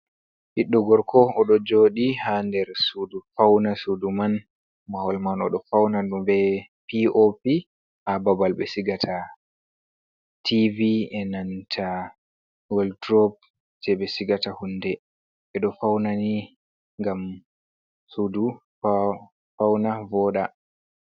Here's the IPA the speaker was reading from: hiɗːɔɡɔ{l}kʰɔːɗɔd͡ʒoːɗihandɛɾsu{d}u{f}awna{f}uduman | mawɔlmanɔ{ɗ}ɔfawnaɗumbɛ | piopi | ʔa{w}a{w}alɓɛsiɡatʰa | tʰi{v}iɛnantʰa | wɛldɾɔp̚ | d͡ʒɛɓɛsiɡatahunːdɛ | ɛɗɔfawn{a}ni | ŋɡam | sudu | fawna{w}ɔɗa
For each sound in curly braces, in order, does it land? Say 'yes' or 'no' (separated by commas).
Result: no, yes, yes, no, yes, no, no, yes, yes, no